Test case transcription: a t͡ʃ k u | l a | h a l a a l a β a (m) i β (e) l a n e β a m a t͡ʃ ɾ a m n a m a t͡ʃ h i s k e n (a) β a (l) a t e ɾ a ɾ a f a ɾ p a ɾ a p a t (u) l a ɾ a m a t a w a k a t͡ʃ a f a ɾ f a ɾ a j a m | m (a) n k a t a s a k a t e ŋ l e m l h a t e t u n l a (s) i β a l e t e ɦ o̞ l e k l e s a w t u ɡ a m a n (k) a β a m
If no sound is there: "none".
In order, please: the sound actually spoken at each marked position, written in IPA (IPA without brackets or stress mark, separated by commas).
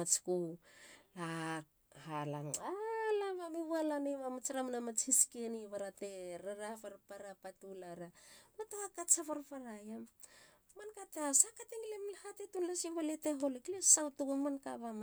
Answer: m, a, i, ɾ, u, a, s, k